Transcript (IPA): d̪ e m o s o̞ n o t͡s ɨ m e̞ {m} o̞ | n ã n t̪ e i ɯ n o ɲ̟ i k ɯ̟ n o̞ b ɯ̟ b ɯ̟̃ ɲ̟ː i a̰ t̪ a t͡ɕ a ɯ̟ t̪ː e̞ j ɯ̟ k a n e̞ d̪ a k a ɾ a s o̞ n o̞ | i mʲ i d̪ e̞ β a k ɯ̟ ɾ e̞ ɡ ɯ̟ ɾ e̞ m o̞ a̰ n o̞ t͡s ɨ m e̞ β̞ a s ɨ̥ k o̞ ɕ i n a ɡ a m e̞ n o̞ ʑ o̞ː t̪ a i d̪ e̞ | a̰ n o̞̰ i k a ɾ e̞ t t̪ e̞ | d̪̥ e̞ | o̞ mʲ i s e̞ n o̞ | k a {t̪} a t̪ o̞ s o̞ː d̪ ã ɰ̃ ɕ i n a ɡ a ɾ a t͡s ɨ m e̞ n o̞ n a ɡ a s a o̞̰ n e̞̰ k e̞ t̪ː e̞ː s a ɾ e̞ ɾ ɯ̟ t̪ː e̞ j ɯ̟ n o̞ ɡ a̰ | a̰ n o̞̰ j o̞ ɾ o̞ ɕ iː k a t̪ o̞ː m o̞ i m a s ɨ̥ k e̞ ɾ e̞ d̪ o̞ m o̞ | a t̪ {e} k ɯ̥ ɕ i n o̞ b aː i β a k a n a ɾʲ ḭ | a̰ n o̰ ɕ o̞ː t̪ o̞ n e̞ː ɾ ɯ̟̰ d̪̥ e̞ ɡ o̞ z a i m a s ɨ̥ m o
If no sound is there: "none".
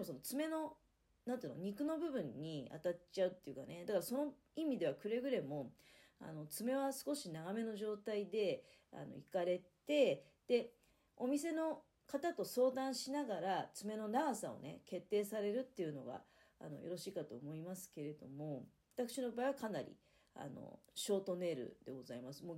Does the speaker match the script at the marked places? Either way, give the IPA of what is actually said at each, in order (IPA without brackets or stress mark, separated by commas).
n, t̪, a